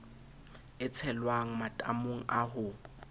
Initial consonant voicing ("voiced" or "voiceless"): voiceless